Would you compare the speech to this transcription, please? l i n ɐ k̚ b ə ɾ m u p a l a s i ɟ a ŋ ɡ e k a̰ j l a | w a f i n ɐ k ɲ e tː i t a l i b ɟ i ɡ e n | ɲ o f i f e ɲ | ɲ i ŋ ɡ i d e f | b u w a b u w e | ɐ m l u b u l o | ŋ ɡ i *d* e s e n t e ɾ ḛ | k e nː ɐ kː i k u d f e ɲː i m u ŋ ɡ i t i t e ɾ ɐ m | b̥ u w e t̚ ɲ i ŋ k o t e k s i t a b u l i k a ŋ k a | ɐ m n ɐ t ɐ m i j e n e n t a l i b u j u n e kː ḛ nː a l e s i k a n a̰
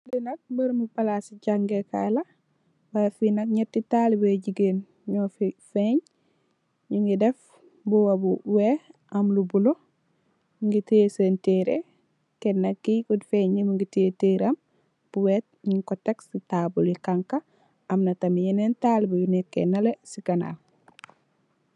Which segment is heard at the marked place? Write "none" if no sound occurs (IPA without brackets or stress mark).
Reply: t